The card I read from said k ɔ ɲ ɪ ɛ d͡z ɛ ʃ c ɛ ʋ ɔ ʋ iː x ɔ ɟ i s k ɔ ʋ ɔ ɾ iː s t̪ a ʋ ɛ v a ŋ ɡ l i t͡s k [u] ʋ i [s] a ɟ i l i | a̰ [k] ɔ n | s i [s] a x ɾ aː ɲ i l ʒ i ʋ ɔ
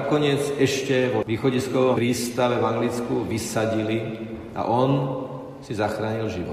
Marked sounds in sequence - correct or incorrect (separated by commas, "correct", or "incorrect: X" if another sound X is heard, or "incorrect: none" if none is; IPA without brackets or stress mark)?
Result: correct, correct, incorrect: ʔ, incorrect: z